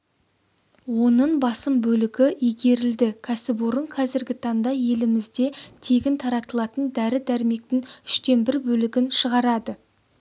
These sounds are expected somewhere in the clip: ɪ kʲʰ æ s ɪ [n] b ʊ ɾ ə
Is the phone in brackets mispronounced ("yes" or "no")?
yes